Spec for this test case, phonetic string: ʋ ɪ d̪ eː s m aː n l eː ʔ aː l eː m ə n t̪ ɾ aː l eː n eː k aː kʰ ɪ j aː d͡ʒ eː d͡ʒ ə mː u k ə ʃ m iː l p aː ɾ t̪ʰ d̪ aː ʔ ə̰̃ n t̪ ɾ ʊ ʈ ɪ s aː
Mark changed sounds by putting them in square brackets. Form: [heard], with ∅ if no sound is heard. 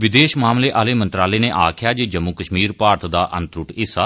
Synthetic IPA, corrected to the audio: ʋ ɪ d̪ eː [ʃ] m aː [m] l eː ʔ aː l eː m ə n t̪ ɾ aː l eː n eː [ʔ] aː kʰ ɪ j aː d͡ʒ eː d͡ʒ ə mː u k ə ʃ m iː [ɾ] p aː ɾ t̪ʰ d̪ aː ʔ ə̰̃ n t̪ ɾ ʊ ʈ ɪ s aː